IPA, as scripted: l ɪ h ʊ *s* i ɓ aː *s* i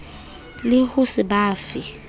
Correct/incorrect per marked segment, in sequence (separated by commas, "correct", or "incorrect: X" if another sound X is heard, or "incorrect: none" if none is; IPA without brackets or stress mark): correct, incorrect: f